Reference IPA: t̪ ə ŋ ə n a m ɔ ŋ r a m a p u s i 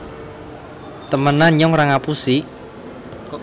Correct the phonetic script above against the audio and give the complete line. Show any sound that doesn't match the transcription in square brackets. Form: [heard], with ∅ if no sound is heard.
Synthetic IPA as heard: t̪ ə [m] ə n a [ɲ] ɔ ŋ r a [ŋ] a p u s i